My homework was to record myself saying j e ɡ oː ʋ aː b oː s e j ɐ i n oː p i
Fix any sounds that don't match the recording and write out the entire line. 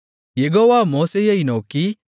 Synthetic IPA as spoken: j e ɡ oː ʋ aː m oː s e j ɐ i n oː k i